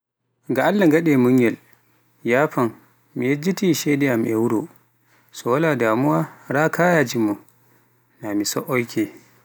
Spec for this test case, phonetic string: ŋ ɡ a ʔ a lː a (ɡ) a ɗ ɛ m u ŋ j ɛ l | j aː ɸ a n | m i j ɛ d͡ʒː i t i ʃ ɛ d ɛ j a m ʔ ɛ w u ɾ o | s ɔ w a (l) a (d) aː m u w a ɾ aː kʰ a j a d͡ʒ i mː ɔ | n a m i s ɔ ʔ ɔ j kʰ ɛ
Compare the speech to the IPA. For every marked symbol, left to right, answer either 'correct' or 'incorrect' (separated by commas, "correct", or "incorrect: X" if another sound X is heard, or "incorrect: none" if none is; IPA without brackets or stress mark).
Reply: correct, correct, correct